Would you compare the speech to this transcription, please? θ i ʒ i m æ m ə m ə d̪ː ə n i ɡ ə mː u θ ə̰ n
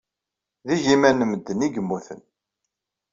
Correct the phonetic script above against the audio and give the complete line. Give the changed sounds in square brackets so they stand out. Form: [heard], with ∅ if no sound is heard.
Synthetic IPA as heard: [ð] i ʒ i m æ [n] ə m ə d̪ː ə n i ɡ ə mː u θ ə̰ n